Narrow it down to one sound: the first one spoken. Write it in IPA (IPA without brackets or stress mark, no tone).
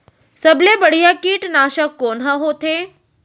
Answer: s